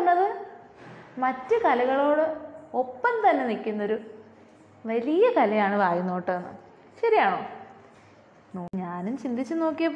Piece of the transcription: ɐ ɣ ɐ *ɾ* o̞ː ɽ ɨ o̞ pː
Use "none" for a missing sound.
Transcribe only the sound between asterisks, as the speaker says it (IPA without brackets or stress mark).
ɭ